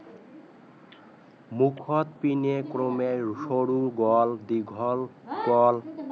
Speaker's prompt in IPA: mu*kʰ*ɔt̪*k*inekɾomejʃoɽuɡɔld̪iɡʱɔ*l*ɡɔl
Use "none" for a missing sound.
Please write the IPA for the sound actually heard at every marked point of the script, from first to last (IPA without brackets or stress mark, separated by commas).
kʰ, p, l